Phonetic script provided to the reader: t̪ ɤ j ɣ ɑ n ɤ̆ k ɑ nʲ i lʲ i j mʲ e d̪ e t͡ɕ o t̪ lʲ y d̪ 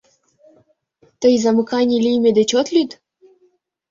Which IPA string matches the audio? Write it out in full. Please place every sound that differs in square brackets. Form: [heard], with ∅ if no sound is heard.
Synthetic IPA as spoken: t̪ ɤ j [z] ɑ [m] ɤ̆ k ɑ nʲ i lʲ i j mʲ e d̪ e t͡ɕ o t̪ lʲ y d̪